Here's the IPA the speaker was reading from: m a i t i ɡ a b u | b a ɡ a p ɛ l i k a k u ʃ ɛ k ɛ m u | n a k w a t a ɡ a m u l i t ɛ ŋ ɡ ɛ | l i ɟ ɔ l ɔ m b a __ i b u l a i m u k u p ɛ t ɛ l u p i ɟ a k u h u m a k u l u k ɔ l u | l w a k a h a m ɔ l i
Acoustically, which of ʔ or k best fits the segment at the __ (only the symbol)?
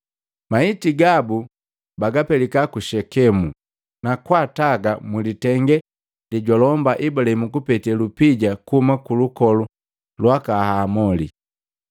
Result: ʔ